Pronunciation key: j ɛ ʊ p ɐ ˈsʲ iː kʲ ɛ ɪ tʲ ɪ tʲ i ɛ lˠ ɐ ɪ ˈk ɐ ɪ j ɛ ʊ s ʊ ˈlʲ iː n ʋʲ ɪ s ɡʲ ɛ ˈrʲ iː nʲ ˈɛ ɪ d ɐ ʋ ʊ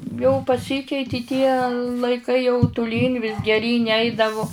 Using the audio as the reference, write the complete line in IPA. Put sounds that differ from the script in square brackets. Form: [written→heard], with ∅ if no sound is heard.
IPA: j ɛ ʊ p ɐ ˈsʲ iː kʲ ɛ ɪ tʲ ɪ tʲ i ɛ lˠ ɐ ɪ ˈk ɐ ɪ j ɛ ʊ [s→t] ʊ ˈlʲ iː n ʋʲ ɪ s ɡʲ ɛ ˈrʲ iː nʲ ˈɛ ɪ d ɐ ʋ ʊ